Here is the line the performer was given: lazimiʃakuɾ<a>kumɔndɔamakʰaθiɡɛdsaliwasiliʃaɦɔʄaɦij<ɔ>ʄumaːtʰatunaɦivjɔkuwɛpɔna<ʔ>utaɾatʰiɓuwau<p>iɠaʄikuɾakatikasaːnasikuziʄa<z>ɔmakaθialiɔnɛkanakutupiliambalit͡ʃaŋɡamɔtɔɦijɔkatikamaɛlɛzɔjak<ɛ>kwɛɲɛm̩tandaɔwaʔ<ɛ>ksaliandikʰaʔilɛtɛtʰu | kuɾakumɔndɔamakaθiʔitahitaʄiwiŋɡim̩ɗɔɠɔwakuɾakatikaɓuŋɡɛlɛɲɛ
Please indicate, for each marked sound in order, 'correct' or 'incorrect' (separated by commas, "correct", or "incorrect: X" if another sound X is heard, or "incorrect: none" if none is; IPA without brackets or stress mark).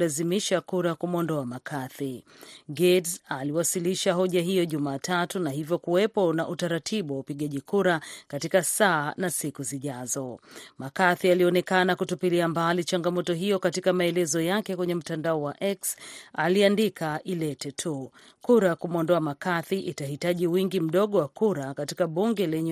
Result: correct, correct, correct, correct, correct, correct, correct